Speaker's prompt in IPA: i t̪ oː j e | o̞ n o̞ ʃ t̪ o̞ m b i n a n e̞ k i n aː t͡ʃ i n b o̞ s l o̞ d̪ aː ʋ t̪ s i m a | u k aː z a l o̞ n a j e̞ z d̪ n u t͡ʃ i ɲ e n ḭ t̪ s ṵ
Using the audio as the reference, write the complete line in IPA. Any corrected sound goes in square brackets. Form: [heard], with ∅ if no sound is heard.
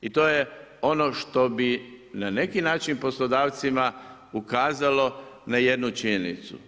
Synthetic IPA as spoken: i t̪ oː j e | o̞ n o̞ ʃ t̪ o̞ [∅] b i n a n e̞ k i n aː t͡ʃ i n [p] o̞ s l o̞ d̪ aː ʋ t̪ s i m a | u k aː z a l o̞ n a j e̞ [∅] d̪ n u t͡ʃ i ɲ e n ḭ t̪ s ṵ